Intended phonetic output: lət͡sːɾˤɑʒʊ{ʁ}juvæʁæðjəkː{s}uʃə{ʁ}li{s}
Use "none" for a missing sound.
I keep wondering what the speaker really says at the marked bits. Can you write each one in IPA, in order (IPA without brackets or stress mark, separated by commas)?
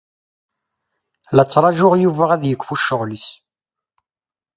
ʁ, f, ʁ, s